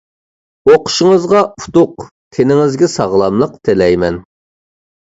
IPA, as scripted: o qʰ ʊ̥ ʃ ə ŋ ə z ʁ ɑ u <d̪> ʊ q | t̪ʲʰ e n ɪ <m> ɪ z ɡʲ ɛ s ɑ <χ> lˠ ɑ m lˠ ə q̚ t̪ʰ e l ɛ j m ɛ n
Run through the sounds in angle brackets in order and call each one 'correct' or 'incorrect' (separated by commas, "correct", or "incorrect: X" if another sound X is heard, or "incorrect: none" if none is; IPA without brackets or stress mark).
incorrect: t̪, incorrect: ŋ, incorrect: ʁ